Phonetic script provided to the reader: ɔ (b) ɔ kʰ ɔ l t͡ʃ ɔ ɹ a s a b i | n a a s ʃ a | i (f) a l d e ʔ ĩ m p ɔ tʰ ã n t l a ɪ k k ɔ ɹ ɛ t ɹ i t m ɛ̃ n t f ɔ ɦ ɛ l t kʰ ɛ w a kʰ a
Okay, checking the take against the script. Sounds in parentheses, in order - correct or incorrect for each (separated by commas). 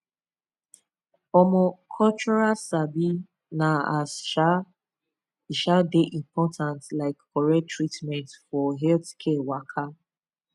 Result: incorrect, incorrect